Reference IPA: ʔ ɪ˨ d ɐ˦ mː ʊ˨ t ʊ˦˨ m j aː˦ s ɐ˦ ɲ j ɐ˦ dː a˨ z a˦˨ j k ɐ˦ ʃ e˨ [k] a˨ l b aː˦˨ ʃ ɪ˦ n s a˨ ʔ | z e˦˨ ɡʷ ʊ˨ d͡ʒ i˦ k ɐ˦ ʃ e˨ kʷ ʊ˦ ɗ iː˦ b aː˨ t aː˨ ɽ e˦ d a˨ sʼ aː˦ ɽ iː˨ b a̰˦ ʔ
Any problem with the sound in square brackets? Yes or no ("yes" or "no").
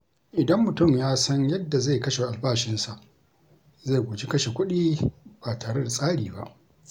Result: yes